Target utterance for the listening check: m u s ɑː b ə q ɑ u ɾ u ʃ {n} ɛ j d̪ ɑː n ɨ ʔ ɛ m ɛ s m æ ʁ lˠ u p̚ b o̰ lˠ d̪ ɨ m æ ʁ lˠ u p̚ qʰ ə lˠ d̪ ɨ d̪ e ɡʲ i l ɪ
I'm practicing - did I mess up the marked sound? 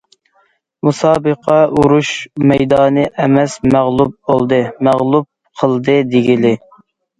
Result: yes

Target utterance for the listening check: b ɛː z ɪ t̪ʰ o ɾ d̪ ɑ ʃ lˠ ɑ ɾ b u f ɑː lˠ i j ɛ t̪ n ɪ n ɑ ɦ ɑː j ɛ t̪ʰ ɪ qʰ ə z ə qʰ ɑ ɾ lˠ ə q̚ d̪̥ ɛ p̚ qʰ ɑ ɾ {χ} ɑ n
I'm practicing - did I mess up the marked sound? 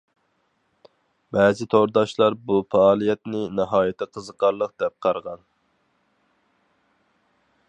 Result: yes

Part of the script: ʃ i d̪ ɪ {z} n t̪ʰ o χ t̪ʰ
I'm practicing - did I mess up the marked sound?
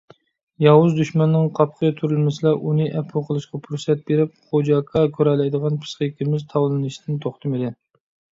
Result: yes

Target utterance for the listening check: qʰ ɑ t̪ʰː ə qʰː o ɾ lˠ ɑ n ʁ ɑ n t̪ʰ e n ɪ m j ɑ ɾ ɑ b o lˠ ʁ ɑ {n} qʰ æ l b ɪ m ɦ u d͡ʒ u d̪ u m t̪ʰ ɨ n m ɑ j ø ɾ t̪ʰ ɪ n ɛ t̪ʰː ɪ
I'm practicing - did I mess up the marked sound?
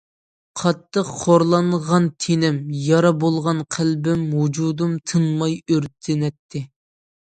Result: no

